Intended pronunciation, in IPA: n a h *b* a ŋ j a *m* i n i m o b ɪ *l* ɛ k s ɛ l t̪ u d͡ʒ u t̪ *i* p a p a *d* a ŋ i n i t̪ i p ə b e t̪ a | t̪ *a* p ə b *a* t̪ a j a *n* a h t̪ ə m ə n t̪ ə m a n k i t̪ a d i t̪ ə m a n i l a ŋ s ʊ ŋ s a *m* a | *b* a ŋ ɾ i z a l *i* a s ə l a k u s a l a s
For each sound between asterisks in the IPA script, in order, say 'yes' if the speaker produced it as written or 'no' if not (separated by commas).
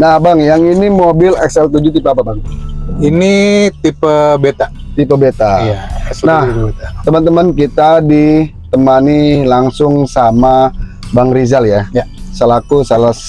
yes, no, yes, yes, no, no, no, yes, yes, yes, no